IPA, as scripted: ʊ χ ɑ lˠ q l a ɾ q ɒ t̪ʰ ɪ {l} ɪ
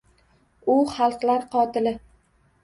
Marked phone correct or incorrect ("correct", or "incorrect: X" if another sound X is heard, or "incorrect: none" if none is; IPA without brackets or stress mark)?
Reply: correct